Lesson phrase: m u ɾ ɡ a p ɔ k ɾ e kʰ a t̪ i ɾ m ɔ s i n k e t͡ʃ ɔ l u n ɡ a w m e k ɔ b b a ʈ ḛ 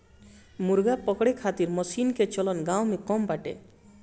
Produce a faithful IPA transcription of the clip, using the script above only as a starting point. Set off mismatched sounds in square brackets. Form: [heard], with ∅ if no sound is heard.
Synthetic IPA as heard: m u ɾ ɡ a p ɔ k [ɽ] e kʰ a t̪ i ɾ m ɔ s i n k e t͡ʃ ɔ l [ɔ] n ɡ a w m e k ɔ [m] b a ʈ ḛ